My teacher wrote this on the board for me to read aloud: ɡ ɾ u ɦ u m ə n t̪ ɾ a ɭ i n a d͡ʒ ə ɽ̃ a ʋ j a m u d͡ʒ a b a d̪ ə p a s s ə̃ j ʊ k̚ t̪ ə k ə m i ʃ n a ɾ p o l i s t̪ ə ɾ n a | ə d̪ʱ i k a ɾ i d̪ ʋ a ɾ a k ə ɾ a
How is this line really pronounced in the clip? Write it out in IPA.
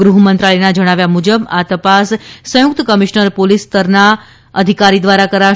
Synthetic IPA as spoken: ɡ ɾ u ɦ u m ə n t̪ ɾ a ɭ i n a d͡ʒ ə ɽ̃ a ʋ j a m u d͡ʒ ə b a t̪ ə p a s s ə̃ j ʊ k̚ t̪ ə k ə m i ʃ n ə ɾ p o l i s t̪ ə ɾ n a | ə d̪ʱ i k a ɾ i d̪ ʋ a ɾ a k ə ɾ a